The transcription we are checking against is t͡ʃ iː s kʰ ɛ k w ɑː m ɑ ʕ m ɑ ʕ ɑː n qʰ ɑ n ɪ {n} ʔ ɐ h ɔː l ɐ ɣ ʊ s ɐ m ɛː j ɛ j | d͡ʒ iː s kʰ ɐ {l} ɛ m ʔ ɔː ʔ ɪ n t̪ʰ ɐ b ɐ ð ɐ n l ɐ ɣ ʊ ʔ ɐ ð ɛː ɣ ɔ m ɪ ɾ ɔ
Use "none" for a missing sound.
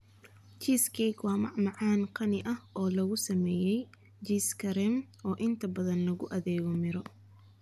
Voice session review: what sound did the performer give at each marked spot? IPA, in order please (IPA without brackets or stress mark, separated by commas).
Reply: none, ɾ